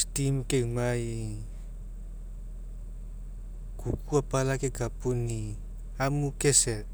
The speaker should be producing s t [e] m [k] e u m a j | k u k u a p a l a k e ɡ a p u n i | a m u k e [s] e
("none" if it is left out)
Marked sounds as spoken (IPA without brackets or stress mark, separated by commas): i, k, s